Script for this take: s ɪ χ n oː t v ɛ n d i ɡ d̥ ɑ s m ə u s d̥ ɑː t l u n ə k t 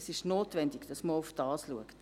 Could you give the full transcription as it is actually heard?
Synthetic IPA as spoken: s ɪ ʃ n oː t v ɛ n d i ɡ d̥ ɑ s m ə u f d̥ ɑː s l u ə k t